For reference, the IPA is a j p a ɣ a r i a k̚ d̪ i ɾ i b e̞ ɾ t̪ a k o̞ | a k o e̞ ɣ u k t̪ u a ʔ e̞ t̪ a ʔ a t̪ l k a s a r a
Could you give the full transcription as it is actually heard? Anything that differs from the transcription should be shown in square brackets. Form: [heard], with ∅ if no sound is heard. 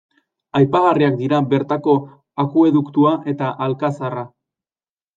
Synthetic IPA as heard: a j p a ɣ a r i a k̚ d̪ i ɾ [a] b e̞ ɾ t̪ a k o̞ | a k [u] e̞ [ð] u k t̪ u a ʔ e̞ t̪ a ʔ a [∅] l k a s a r a